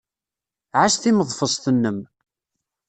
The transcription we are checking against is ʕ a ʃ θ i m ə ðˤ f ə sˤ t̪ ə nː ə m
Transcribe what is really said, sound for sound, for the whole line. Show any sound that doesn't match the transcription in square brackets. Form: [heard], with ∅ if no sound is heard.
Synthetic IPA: ʕ a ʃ θ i m ə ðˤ f ə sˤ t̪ ə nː ə m